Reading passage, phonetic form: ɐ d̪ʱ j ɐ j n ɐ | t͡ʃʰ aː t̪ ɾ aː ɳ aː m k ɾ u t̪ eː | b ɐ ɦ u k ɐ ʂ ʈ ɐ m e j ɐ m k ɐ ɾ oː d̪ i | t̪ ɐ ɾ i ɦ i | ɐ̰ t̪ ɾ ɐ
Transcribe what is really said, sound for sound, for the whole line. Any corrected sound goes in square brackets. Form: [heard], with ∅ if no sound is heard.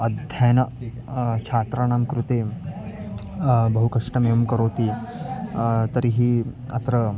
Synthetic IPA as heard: ɐ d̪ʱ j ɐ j n ɐ | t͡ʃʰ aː t̪ ɾ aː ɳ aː m k ɾ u t̪ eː | b ɐ ɦ u k ɐ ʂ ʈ ɐ m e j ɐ m k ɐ ɾ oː [t̪] i | t̪ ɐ ɾ i ɦ i | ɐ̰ t̪ ɾ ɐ